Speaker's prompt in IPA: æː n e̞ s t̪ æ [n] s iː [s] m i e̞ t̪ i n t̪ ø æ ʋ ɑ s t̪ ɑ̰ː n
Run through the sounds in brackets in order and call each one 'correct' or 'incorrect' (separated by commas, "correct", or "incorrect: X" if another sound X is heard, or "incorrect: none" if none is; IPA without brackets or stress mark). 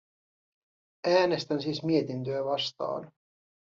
correct, correct